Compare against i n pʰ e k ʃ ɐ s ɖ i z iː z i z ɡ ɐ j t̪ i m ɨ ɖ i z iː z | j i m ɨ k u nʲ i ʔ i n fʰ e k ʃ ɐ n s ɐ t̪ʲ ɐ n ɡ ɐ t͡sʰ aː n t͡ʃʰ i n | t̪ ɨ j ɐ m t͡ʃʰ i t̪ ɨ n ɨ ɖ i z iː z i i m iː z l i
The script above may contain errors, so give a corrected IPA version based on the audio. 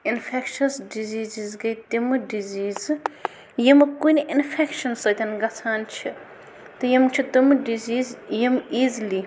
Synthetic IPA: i n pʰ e k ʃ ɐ s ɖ i z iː z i z ɡ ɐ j t̪ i m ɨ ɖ i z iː z | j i m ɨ k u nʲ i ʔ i n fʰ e k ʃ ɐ n s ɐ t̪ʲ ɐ n ɡ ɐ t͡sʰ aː n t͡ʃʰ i | t̪ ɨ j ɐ m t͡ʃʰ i t̪ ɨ m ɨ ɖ i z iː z j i m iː z l i